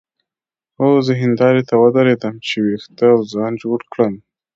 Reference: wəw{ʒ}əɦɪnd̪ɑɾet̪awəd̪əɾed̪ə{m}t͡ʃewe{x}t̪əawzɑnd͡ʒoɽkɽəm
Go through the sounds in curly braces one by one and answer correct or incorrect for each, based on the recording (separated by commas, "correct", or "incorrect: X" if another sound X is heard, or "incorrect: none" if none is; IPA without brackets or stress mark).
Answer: incorrect: z, correct, correct